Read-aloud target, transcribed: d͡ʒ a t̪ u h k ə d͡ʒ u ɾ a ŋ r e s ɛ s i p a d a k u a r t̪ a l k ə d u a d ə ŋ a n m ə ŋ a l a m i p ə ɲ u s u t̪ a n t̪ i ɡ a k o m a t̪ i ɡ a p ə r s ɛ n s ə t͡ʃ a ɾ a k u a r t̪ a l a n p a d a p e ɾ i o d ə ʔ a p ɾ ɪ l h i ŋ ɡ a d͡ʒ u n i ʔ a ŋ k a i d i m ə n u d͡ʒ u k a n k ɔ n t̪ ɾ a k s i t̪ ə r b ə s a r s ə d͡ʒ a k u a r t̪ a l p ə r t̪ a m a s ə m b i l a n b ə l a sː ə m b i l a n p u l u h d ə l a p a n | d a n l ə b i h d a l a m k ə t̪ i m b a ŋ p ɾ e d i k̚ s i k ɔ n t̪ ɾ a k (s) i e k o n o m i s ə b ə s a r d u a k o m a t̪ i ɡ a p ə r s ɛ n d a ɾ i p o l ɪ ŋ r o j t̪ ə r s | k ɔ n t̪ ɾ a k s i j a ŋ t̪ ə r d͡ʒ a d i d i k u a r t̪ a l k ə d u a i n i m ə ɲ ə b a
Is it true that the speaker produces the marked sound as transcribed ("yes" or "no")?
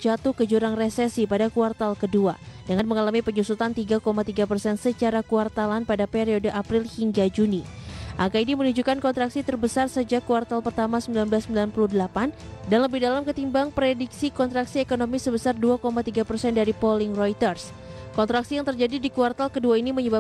yes